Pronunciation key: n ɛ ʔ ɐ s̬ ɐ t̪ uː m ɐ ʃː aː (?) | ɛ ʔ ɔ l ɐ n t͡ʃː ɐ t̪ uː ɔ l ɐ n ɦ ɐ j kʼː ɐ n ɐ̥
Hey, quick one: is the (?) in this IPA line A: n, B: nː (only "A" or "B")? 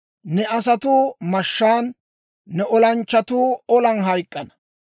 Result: B